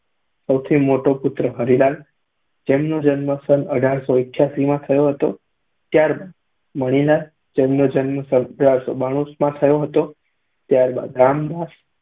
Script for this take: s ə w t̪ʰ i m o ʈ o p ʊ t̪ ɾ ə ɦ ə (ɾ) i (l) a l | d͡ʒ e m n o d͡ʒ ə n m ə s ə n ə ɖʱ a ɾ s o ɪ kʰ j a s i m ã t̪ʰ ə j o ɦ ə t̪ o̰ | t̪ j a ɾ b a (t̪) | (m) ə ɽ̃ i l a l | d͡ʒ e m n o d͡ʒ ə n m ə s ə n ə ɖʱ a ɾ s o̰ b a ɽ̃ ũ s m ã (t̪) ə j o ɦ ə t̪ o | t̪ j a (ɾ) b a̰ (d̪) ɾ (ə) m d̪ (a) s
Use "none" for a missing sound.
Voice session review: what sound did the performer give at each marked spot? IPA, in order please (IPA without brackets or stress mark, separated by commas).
ɾ, l, d̪, m, t̪ʰ, ɾ, d̪, a, a